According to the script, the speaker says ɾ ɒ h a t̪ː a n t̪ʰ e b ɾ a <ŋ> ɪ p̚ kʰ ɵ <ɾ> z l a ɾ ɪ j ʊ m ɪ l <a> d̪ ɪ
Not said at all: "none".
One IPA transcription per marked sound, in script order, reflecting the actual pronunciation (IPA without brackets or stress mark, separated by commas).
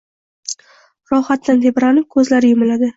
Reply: n, none, a